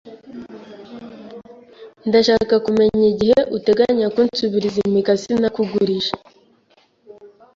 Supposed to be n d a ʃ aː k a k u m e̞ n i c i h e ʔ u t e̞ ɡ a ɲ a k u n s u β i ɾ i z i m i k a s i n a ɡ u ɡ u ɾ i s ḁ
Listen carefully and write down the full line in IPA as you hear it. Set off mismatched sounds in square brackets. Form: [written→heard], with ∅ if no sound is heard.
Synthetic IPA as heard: n d a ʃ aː k a k u m e̞ [n→ɲ] i [c→ɟ] i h e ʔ u t e̞ ɡ a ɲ a k u n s u β i ɾ i z i m i k a s i n a [ɡ→k] u ɡ u ɾ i [s→ʃ] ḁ